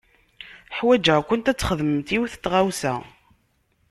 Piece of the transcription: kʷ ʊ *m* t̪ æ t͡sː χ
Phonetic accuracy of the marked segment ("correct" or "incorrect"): incorrect